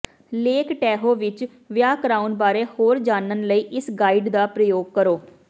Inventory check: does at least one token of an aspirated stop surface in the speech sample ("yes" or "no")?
no